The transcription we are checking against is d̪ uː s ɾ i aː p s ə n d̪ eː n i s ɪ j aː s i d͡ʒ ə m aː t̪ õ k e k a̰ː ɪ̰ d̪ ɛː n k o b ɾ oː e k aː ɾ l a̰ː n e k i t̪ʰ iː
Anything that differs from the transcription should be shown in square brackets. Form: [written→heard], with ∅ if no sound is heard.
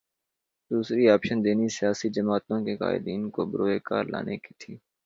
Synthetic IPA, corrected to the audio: d̪ uː s ɾ i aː p [s→ʃ] ə n d̪ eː n i s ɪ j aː s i d͡ʒ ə m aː t̪ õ k e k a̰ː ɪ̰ d̪ [ɛː→iː] n k o b ɾ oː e k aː ɾ l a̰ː n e k i t̪ʰ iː